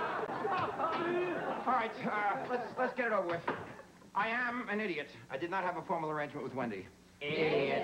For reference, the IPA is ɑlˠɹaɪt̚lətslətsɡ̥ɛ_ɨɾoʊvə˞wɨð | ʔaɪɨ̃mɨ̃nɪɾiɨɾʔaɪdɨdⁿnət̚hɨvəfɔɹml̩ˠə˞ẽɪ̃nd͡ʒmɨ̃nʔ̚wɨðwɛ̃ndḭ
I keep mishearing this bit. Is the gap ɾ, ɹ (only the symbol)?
ɾ